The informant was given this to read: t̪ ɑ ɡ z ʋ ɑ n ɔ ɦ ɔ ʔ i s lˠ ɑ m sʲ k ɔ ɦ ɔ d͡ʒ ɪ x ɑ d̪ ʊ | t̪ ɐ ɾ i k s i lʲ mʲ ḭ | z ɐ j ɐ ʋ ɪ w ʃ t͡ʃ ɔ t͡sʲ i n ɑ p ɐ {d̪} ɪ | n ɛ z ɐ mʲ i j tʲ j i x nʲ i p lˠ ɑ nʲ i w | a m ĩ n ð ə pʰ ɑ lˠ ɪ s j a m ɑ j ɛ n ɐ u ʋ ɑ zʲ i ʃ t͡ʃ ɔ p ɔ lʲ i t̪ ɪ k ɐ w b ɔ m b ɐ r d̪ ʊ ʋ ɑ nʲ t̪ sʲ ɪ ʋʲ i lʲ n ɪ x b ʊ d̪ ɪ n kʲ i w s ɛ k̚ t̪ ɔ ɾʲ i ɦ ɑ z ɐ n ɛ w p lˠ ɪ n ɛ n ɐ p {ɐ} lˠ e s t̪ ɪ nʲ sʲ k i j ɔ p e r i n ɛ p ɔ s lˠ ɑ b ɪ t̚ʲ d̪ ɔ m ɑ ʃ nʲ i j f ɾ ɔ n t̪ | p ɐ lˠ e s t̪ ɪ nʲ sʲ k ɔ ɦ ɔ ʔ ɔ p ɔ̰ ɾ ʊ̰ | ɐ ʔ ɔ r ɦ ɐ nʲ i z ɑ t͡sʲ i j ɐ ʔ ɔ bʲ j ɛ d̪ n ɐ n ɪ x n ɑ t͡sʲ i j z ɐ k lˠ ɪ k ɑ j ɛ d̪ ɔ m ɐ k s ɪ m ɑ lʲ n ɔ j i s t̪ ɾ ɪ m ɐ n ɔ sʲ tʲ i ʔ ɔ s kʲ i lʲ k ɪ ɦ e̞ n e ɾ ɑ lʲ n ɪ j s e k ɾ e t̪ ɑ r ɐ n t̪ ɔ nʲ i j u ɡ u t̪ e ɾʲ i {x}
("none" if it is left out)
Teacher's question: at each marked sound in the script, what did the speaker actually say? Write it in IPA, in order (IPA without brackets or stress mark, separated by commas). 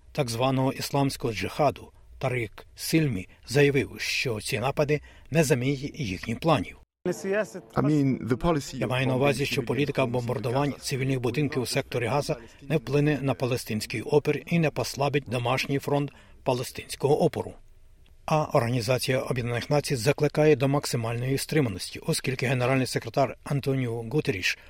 d̪, ɐ, ʃ